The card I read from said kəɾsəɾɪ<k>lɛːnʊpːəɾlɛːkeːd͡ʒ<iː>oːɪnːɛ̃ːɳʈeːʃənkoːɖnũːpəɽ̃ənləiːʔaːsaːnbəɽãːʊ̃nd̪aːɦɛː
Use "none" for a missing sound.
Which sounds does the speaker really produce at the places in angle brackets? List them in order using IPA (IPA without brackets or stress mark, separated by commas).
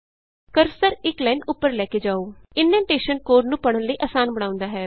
k, aː